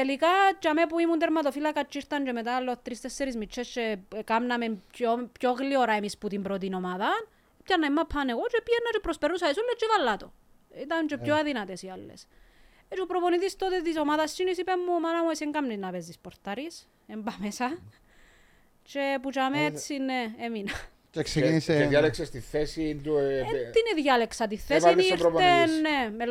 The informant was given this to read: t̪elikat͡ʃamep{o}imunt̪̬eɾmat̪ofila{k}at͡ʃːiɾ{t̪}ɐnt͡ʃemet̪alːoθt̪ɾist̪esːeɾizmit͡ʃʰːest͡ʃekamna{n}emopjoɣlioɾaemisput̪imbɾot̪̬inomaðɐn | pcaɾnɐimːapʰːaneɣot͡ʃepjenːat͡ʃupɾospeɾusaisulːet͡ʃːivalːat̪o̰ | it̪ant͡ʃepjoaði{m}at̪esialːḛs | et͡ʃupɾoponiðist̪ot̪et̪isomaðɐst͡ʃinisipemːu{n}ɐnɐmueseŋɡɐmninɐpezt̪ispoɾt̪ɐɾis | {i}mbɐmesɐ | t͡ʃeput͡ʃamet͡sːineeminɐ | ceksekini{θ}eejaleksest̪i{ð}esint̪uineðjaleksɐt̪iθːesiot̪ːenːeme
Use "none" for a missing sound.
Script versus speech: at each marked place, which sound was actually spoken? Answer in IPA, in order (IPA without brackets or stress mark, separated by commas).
u, k, t̪, m, n, m, e, s, θ